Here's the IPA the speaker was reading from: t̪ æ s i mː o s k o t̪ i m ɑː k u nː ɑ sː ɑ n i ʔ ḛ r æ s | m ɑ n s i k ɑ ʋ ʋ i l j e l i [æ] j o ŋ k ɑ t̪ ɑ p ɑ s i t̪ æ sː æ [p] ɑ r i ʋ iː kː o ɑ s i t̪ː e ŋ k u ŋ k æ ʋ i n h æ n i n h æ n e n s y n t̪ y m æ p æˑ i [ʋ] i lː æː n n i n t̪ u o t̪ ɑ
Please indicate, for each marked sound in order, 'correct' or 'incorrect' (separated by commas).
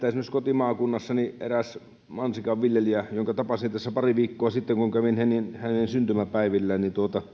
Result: correct, correct, correct